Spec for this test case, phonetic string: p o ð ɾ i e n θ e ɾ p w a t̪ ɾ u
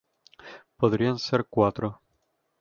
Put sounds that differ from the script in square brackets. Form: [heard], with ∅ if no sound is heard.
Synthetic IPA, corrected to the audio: p o ð ɾ i [a] n [s] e ɾ [k] w a t̪ ɾ [o]